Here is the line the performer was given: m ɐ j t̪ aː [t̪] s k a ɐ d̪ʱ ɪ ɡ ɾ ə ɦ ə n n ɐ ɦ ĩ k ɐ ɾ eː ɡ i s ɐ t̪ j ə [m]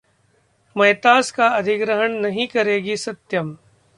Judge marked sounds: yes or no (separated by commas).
no, yes